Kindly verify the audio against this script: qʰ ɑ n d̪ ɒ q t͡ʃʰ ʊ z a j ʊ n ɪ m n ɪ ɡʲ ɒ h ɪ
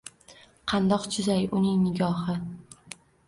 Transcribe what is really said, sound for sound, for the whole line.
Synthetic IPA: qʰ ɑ n d̪ ɒ q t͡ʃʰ ʊ z a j ʊ n ɪ ŋ n ɪ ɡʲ ɒ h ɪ